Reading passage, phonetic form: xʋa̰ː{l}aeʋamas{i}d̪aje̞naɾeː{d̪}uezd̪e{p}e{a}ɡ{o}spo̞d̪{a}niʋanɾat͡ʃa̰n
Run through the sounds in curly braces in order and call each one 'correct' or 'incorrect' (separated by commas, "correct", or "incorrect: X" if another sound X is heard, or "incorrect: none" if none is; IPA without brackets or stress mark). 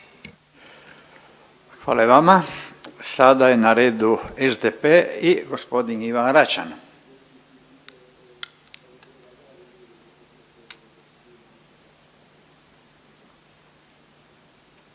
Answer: correct, incorrect: a, correct, correct, incorrect: i, correct, incorrect: i